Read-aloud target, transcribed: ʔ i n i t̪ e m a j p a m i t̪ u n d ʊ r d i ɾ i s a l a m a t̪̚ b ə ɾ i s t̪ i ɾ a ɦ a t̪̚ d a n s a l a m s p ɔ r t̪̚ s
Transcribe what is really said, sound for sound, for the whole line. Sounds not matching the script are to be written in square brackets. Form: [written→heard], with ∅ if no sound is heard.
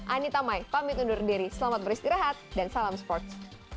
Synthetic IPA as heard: ʔ [i→a] n i t̪ [e→a] m a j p a m i t̪ u n d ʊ r d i ɾ i s [a→ə] l a m a t̪̚ b ə ɾ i s t̪ i ɾ a ɦ a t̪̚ d a n s a l a m s p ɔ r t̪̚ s

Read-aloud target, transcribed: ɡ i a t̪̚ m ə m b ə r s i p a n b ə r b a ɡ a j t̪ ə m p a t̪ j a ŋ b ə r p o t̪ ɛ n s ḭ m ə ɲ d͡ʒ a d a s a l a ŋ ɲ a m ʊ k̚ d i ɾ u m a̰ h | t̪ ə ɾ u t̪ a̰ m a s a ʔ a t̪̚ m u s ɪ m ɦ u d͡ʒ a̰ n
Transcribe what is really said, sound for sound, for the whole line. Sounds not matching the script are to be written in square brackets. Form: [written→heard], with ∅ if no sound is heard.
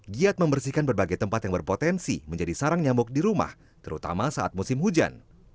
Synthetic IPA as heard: ɡ i a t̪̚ m ə m b ə r s i [p→k] a n b ə r b a ɡ a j t̪ ə m p a t̪ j a ŋ b ə r p o t̪ ɛ n s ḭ m ə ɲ d͡ʒ a d [a→i] s a [l→ɾ] a ŋ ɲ a m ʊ k̚ d i ɾ u m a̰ h | t̪ ə ɾ u t̪ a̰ m a s a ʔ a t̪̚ m u s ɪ m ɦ u d͡ʒ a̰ n

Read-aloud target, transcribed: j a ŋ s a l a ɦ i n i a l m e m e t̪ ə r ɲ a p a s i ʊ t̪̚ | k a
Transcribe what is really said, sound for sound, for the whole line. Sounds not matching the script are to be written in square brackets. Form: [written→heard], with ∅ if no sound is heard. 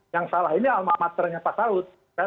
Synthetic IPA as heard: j a ŋ s a l a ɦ i n i a l m [e→a] m [e→a] t̪ ə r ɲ a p a s [i→a] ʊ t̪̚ | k a

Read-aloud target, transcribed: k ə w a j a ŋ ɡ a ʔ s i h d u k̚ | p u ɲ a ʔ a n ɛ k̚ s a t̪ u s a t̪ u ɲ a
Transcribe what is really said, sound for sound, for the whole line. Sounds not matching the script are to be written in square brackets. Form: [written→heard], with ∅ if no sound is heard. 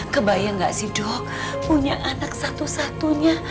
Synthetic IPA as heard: k ə [w→b] a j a ŋ ɡ a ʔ s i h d [u→ɔ] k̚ | p u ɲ a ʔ a n [ɛ→a] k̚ s a t̪ u s a t̪ u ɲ a

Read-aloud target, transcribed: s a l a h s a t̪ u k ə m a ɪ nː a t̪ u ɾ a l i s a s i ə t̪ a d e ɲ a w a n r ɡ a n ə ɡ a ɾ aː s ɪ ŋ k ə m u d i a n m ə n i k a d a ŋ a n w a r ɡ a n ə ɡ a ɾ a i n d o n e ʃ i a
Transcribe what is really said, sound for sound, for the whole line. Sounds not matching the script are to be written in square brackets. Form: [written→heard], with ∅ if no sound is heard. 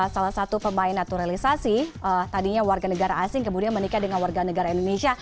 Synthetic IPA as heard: s a l a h s a t̪ u [k→p] ə m a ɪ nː a t̪ u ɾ a l i s a s i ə t̪ a d [e→i] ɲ a w a [n→∅] r ɡ a n ə ɡ a ɾ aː s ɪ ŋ k ə m u d i a n m ə n i k a d [a→ə] ŋ a n w a r ɡ a n ə ɡ a ɾ a i n d o n e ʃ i a

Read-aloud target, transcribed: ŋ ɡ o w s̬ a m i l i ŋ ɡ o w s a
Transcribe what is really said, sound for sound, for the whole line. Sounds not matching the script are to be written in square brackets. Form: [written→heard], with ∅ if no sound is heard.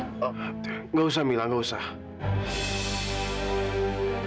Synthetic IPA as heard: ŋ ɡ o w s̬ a m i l [i→a] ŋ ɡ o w s a

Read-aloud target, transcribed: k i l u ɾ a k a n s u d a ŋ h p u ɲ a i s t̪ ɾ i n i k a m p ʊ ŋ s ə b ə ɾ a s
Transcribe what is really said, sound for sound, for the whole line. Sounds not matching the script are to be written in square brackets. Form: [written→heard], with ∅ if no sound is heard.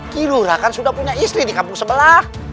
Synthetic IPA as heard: k i l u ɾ a k a n s u d a [ŋ→∅] h p u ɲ a i s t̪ ɾ i [n→d] i k a m p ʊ ŋ s ə b ə [ɾ→l] a [s→h]

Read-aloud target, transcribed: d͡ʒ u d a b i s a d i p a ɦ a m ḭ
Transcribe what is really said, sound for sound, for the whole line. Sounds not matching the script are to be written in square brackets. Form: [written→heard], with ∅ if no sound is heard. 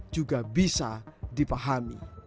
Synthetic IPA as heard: d͡ʒ u [d→ɡ] a b i s a d i p a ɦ a m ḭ

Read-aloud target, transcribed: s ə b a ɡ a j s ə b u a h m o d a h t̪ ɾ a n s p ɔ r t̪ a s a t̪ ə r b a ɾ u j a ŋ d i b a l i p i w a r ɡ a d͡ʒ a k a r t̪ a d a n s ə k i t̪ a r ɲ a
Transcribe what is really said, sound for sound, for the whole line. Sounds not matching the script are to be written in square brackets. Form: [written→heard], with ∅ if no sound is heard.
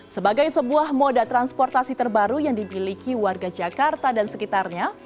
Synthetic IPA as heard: s ə b a ɡ a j s ə b u a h m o d a [h→∅] t̪ ɾ a n s p ɔ r t̪ a s [a→i] t̪ ə r b a ɾ u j a ŋ d i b [a→i] l i [p→k] i w a r ɡ a d͡ʒ a k a r t̪ a d a n s ə k i t̪ a r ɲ a

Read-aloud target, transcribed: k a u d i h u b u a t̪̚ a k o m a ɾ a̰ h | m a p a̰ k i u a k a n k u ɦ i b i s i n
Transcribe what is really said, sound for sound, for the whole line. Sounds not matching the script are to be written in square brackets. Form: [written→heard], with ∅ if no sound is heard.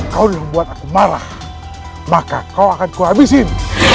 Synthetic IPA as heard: k a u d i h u b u a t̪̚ a k [o→u] m a ɾ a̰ h | m a [p→k] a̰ k [i→a] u a k a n k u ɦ [i→a] b i s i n

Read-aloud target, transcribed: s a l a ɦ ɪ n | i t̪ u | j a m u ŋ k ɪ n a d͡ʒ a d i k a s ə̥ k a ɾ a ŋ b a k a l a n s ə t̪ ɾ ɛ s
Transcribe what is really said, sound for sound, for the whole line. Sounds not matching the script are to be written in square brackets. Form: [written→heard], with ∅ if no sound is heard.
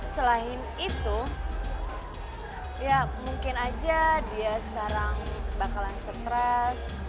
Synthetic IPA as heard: s [a→ə] l a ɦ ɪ n | i t̪ u | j a m u ŋ k ɪ n a d͡ʒ a d i [k→∅] a s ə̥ k a ɾ a ŋ b a k a l a n s ə t̪ ɾ ɛ s

